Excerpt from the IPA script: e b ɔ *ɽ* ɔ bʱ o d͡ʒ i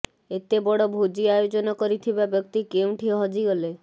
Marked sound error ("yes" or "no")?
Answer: no